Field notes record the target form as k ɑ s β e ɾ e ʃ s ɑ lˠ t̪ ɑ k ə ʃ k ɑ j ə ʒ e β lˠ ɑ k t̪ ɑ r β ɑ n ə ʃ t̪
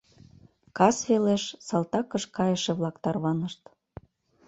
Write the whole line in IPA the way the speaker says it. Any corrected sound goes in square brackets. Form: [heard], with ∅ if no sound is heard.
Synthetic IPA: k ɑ s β e [l] e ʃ s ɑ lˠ t̪ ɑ k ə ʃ k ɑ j ə [ʃ] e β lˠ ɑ k t̪ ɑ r β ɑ n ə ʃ t̪